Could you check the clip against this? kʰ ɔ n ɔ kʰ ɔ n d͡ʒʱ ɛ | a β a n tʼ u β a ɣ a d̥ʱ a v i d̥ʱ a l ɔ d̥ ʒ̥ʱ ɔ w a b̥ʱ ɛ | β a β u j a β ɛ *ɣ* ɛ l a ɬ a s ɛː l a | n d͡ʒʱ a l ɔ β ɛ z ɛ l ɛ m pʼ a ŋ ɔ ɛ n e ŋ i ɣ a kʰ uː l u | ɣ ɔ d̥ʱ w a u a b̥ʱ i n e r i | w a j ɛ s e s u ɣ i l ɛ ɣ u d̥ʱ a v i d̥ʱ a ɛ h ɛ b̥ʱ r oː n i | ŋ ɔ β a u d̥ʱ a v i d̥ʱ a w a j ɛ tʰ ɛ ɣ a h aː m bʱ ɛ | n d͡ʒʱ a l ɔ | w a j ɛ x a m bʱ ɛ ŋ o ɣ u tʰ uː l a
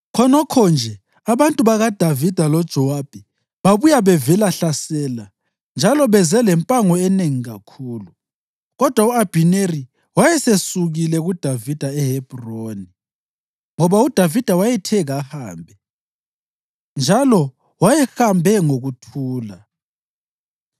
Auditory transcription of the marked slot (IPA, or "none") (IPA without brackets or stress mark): v